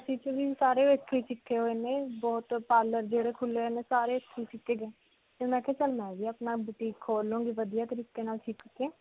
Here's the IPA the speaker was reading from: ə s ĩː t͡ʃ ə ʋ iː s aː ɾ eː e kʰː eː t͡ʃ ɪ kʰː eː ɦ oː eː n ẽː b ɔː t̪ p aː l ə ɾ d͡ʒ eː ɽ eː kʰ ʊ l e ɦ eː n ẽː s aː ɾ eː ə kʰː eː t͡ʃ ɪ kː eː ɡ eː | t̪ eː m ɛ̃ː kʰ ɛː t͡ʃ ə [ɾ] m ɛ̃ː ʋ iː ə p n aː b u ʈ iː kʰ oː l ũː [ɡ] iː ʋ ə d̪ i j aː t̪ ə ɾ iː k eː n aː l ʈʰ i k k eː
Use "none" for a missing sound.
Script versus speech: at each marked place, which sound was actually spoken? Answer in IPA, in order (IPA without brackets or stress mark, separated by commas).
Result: l, ɡ